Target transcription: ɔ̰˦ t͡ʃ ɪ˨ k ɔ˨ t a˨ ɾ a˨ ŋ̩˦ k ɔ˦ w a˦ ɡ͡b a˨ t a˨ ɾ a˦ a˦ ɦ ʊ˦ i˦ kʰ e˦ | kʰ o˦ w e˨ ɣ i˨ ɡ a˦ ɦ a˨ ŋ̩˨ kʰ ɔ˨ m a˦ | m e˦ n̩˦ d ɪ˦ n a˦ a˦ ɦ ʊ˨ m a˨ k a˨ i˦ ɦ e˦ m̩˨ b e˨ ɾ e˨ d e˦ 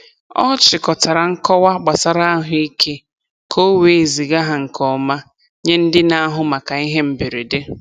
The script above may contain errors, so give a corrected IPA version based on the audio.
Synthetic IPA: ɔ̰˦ t͡ʃ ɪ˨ k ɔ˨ t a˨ ɾ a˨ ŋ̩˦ k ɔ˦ w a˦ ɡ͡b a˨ s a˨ ɾ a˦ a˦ ɦ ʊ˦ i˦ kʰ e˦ | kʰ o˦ w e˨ z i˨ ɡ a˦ ɦ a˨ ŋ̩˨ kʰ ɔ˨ m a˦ | ɲ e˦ n̩˦ d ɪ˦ n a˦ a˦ ɦ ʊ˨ m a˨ k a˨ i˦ ɦ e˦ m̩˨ b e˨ ɾ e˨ d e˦